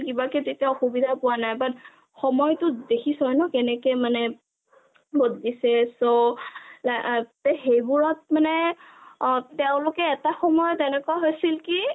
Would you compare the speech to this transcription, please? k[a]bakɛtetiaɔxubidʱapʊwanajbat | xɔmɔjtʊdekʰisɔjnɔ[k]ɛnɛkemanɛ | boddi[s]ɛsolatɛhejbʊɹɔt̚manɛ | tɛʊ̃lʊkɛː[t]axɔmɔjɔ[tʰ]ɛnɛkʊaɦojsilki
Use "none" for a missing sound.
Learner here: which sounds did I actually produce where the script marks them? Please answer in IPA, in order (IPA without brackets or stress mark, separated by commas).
i, k, s, t, t